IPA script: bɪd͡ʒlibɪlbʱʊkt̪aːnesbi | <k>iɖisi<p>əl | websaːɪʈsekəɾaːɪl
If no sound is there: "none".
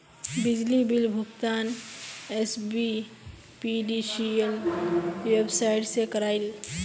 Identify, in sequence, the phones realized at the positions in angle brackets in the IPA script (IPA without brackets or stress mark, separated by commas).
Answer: p, none